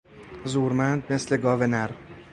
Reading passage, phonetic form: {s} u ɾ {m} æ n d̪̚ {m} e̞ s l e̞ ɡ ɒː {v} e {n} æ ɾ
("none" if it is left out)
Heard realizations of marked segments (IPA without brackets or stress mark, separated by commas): z, m, m, v, n